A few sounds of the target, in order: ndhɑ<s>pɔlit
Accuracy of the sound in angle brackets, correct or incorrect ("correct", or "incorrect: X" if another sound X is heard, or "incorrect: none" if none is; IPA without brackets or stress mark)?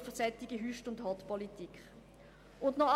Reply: incorrect: t